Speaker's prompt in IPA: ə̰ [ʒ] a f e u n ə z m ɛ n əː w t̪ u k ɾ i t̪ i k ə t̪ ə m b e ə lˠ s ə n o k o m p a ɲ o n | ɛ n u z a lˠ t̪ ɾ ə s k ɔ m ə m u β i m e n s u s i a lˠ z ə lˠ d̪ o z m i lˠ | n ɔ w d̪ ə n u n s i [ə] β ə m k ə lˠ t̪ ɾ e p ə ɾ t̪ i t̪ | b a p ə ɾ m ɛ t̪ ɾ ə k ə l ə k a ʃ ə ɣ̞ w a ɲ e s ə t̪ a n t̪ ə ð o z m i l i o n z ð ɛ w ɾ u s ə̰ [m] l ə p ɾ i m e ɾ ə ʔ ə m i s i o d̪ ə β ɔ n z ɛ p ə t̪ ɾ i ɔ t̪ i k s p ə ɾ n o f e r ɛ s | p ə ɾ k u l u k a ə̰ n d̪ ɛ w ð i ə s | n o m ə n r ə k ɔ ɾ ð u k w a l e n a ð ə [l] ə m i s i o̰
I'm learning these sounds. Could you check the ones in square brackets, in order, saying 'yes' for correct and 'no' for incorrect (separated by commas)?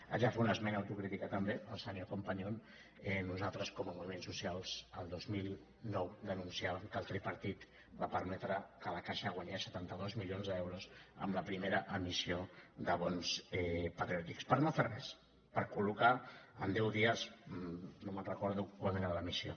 yes, no, yes, yes